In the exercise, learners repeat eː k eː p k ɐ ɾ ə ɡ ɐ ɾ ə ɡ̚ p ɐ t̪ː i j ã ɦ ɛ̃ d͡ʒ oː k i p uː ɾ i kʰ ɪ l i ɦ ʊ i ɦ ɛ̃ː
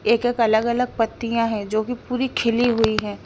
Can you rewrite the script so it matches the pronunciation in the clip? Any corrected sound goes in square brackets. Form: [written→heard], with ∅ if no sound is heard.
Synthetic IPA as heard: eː k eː [p→∅] k ɐ [ɾ→l] ə ɡ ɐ [ɾ→l] ə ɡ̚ p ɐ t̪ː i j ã ɦ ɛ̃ d͡ʒ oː k i p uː ɾ i kʰ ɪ l i ɦ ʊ i ɦ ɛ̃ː

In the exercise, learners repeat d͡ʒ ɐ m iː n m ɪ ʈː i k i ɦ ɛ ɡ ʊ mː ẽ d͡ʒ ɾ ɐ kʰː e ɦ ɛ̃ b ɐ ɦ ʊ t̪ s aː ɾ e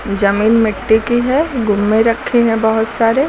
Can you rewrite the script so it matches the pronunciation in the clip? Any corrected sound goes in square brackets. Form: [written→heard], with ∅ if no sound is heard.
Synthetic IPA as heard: d͡ʒ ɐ m iː n m ɪ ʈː i k i ɦ ɛ ɡ ʊ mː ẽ [d͡ʒ→∅] ɾ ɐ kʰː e ɦ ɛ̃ b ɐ ɦ ʊ t̪ s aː ɾ e

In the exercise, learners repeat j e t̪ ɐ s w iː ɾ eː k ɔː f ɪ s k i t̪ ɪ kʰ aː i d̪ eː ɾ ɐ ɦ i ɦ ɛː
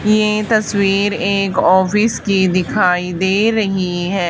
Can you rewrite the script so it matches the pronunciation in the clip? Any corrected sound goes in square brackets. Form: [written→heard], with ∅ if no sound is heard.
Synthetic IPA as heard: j e t̪ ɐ s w iː ɾ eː k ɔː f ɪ s k i [t̪→d̪] ɪ kʰ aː i d̪ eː ɾ ɐ ɦ i ɦ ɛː

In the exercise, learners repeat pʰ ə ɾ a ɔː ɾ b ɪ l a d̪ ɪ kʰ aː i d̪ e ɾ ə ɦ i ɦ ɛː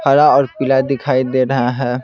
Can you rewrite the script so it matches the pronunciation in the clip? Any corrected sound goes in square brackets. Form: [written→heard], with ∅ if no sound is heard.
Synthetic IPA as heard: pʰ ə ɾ a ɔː ɾ [b→p] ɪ l a d̪ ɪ kʰ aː i d̪ e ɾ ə ɦ [i→a] ɦ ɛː

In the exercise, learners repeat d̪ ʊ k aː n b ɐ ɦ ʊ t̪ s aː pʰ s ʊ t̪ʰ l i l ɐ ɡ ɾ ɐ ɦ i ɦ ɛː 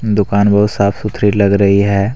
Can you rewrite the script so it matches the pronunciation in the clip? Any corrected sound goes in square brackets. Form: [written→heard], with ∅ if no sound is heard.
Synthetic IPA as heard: d̪ ʊ k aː n b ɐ ɦ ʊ t̪ s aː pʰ s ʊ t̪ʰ [l→ɾ] i l ɐ ɡ ɾ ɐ ɦ i ɦ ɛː

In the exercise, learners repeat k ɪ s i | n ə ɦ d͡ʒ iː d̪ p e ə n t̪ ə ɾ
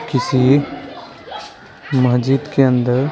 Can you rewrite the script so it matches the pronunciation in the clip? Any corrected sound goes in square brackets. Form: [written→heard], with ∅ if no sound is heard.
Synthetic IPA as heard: k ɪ s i | [n→m] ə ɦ d͡ʒ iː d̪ [p→k] e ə n [t̪→d̪] ə ɾ

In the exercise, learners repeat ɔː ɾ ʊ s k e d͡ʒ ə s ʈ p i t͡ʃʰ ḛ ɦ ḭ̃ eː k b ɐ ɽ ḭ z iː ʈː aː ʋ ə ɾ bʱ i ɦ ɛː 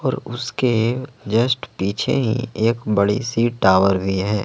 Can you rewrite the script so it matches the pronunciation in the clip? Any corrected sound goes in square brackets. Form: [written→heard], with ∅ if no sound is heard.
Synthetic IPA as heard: ɔː ɾ ʊ s k e d͡ʒ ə s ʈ p [i→iː] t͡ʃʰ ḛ ɦ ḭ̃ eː k b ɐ ɽ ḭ [z→s] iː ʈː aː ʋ ə ɾ bʱ i ɦ ɛː

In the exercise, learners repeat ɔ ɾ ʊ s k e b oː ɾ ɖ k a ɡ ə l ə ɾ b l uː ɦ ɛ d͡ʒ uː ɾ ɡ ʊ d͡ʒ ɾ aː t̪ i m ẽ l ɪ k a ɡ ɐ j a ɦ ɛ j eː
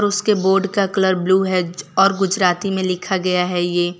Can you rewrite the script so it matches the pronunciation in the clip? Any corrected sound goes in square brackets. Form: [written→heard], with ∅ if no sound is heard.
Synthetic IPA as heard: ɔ ɾ ʊ s k e b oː ɾ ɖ k a [ɡ→k] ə l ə ɾ b l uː ɦ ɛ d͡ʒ [uː→ɔː] ɾ ɡ ʊ d͡ʒ ɾ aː t̪ i m ẽ l ɪ [k→kʰ] a ɡ ɐ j a ɦ ɛ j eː

